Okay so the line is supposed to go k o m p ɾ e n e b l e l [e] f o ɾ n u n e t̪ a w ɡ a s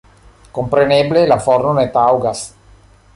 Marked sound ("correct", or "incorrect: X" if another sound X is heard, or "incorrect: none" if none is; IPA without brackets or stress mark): incorrect: a